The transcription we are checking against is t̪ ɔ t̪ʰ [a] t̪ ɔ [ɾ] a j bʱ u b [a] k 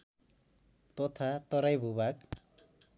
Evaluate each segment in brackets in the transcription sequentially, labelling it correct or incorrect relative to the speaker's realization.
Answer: correct, correct, correct

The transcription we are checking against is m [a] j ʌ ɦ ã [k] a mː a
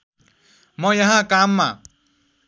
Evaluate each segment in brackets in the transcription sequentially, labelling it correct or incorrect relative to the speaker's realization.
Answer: incorrect: ʌ, correct

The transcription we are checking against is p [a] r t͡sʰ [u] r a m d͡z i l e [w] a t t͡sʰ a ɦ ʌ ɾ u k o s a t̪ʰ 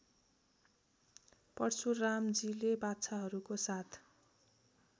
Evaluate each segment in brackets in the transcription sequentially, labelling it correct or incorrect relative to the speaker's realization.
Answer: incorrect: ʌ, correct, incorrect: b

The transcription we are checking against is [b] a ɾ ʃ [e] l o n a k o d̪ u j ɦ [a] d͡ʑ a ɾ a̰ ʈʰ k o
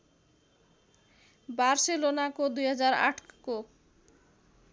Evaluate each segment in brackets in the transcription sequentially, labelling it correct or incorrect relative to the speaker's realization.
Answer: correct, correct, correct

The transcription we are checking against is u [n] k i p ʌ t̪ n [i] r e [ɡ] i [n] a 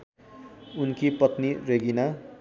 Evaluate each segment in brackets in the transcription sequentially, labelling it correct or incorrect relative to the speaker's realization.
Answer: correct, correct, correct, correct

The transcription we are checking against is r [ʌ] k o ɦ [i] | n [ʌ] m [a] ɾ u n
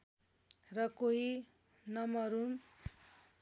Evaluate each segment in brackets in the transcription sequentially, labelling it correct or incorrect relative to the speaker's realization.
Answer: correct, correct, correct, incorrect: ʌ

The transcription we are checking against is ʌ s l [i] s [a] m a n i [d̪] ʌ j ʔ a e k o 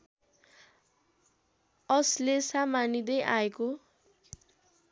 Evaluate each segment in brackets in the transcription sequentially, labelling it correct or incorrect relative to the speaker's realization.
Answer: incorrect: e, correct, correct

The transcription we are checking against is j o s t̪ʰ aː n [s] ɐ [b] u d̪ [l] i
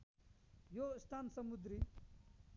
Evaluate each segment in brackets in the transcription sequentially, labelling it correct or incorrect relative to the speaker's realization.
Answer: correct, incorrect: m, incorrect: ɾ

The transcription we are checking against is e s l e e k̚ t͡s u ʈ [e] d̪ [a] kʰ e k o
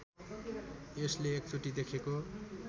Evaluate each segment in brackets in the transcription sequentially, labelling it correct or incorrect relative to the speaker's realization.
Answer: incorrect: i, incorrect: e

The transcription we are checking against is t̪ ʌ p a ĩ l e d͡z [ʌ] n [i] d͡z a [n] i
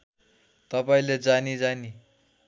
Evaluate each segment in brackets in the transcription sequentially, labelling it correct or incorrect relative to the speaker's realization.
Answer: incorrect: a, correct, correct

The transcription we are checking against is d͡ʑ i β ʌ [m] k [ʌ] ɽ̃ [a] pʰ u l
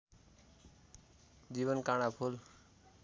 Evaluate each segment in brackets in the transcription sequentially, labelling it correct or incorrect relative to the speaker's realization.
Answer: incorrect: n, incorrect: a, correct

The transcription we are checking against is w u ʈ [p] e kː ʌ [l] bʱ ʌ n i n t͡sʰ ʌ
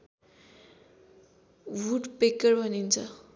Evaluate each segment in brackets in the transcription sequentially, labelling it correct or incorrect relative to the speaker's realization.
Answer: correct, incorrect: r

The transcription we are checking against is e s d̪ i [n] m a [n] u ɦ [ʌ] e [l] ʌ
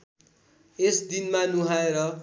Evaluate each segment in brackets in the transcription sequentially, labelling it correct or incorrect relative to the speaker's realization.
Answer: correct, correct, incorrect: a, incorrect: ɾ

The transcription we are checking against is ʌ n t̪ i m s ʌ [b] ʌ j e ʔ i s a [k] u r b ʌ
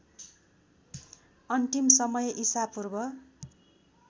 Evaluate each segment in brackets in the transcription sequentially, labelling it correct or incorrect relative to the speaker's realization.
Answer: incorrect: m, incorrect: p

